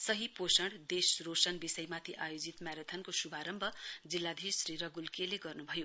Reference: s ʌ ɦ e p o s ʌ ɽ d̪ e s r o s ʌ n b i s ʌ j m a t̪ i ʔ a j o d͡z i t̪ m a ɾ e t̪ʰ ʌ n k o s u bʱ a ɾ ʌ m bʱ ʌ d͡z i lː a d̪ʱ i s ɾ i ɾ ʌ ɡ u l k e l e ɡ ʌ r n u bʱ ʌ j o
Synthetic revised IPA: s ʌ ɦ i p o s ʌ ɽ d̪ e s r o s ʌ n b i s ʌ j m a t̪ʰ i ʔ a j o d͡z i t̪ m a ɾ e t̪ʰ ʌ n k o s u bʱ a ɾ ʌ m bʱ ʌ d͡z i lː a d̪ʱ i s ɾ i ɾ ʌ ɡ u l k e l e ɡ ʌ r n u bʱ ʌ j o